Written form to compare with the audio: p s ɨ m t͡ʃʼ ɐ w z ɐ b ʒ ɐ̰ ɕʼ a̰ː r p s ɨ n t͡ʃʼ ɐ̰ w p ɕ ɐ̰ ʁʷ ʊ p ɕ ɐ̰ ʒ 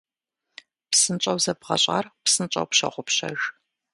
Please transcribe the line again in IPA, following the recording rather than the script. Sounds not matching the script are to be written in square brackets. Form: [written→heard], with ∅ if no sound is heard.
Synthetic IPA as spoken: p s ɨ [m→n] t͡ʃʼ ɐ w z ɐ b [ʒ→ʁ] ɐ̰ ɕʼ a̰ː r p s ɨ n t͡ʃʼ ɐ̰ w p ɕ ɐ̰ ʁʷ ʊ p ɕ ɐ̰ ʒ